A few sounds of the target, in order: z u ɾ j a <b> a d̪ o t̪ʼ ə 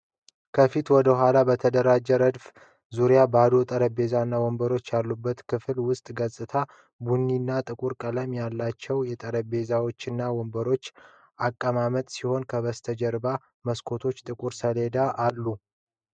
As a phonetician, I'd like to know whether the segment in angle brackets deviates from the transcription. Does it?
no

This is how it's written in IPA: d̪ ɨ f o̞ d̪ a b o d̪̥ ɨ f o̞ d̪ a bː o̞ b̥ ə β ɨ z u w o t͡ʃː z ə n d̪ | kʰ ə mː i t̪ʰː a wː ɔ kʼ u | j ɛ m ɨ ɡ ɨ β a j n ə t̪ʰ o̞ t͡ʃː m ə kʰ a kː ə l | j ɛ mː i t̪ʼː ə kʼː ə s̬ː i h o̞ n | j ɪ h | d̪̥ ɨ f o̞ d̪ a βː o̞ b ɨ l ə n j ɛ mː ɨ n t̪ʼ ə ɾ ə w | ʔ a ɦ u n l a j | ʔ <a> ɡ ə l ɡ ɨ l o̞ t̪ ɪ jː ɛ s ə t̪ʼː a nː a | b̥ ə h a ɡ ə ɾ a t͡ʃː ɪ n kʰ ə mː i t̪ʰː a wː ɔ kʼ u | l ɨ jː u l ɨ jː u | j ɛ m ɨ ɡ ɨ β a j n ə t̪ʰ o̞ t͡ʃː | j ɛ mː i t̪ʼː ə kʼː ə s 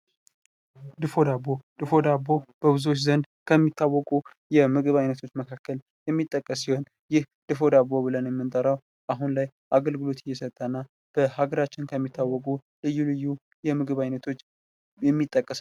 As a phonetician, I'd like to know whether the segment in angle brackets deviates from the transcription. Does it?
no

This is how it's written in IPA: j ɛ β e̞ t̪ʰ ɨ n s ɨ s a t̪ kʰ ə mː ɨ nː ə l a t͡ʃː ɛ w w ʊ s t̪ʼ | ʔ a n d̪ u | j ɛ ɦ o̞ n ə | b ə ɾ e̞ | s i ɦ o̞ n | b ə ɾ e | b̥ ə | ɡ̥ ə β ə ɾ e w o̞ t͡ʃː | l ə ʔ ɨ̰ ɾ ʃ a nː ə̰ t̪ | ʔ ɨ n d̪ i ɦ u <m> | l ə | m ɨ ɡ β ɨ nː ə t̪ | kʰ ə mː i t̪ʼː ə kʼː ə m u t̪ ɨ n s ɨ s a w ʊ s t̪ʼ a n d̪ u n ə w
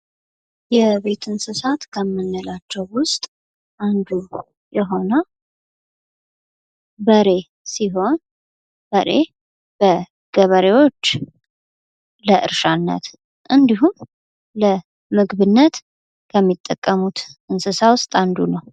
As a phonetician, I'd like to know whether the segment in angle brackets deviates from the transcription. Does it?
no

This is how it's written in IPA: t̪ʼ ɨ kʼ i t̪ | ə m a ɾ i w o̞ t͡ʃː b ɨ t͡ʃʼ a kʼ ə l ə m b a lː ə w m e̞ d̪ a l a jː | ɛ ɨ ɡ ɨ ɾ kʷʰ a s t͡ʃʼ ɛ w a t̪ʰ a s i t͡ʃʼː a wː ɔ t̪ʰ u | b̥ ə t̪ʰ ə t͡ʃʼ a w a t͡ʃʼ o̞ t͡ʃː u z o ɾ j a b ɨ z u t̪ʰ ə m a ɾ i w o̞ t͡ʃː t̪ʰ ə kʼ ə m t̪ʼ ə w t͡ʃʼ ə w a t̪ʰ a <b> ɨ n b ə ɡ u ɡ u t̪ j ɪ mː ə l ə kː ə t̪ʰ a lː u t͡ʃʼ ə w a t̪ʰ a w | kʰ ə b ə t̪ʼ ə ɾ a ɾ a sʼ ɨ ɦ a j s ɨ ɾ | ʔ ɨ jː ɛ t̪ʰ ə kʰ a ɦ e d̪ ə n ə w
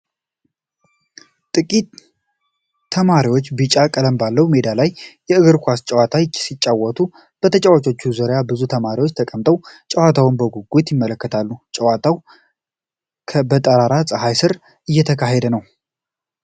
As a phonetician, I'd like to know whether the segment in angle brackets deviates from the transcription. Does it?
yes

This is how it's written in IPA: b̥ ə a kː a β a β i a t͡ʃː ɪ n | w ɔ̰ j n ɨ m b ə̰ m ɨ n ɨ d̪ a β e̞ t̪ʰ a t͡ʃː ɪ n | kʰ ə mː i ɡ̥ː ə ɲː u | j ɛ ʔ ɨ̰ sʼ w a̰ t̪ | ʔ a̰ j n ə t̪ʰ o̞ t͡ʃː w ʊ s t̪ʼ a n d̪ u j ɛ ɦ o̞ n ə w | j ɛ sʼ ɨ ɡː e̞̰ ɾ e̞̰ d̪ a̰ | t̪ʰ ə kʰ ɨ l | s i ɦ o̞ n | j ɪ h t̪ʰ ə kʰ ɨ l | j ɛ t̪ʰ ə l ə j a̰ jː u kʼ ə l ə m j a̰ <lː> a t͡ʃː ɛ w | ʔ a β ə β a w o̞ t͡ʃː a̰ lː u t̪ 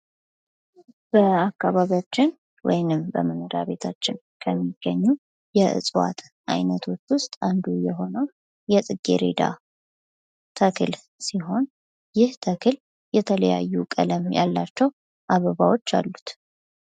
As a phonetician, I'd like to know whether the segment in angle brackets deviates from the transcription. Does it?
no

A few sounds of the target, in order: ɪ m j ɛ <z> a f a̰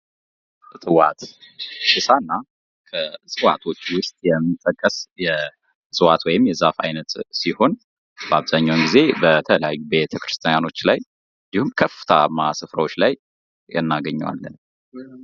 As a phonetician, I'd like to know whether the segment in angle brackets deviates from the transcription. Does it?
no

